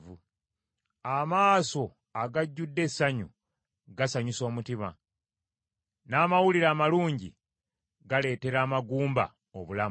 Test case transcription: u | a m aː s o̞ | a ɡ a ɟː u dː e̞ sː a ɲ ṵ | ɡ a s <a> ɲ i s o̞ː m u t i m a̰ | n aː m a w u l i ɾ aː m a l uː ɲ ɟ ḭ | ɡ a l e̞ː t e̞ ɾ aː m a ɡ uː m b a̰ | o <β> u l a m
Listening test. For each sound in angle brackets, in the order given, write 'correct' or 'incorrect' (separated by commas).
correct, correct